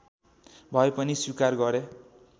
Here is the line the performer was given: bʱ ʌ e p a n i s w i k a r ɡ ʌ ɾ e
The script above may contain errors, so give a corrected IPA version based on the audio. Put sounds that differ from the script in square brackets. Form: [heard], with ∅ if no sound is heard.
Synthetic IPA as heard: bʱ ʌ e p [ʌ] n i s w i k a r ɡ ʌ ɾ e